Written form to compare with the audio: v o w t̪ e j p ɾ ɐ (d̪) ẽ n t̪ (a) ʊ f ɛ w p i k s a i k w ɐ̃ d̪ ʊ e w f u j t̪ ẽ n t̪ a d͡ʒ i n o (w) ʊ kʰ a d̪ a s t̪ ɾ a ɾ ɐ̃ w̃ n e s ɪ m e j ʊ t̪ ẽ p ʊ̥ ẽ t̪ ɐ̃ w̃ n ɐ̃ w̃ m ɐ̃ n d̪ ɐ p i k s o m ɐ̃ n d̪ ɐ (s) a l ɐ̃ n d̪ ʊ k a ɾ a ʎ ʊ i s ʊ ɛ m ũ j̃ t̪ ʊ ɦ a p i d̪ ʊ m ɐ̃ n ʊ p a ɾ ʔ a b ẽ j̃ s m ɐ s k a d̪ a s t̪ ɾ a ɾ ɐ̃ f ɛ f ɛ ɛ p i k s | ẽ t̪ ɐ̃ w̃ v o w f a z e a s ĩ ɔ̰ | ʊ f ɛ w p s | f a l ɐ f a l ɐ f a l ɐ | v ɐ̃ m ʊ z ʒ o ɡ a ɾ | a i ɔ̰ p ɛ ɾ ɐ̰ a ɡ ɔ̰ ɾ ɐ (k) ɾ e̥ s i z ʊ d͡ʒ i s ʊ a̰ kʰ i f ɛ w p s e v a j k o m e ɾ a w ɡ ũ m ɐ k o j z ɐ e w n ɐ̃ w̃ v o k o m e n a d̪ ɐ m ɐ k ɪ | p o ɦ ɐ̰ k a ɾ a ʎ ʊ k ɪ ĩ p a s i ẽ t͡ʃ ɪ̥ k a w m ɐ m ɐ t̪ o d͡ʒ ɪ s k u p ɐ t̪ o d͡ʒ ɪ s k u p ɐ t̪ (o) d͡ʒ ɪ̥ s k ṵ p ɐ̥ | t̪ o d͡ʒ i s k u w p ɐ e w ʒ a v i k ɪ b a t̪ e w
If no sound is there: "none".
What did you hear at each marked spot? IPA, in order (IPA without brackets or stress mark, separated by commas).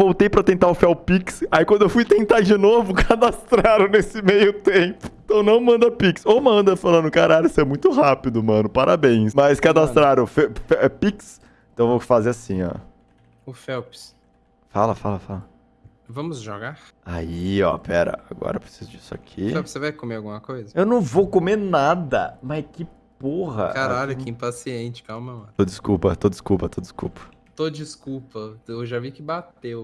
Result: t̪, a, v, f, p, o